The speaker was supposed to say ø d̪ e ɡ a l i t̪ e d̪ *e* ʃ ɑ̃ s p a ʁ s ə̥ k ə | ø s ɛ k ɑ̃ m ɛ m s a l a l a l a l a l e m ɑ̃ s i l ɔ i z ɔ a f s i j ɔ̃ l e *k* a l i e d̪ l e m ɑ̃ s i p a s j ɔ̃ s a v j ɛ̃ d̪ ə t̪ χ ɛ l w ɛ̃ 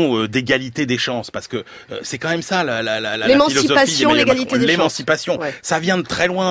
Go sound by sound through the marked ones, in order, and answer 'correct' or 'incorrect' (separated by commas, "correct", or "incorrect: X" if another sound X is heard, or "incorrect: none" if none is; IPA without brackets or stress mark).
correct, incorrect: ɡ